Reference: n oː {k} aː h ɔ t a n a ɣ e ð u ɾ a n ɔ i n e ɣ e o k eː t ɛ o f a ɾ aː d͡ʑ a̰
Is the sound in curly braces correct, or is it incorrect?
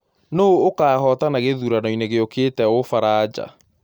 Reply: correct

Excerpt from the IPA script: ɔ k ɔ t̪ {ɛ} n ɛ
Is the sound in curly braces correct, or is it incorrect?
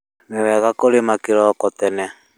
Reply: correct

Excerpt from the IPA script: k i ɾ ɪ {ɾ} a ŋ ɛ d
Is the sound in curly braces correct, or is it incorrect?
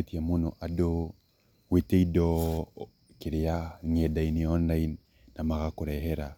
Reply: incorrect: none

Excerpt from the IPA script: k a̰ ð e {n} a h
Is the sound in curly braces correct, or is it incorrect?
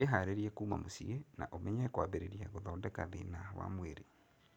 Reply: correct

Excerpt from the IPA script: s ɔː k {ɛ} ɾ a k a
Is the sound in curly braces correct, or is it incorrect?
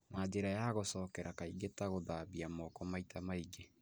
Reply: correct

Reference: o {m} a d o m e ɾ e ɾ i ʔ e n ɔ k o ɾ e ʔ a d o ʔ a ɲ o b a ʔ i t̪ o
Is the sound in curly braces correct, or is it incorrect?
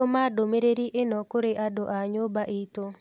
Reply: correct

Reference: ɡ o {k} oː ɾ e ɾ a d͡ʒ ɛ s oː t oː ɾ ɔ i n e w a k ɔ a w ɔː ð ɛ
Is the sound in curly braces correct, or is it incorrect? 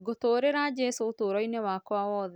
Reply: incorrect: t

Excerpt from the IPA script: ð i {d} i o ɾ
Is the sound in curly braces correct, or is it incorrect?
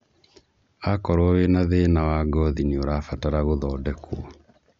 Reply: incorrect: n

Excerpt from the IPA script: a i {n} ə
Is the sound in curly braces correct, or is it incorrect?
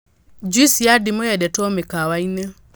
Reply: correct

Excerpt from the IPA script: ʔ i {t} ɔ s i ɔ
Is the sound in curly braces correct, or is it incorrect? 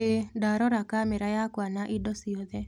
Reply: incorrect: d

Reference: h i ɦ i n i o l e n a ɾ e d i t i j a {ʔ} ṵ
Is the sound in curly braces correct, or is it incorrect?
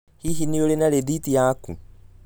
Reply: incorrect: k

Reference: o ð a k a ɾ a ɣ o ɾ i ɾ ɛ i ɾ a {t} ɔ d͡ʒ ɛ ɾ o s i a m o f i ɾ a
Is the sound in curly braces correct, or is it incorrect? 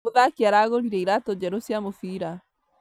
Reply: correct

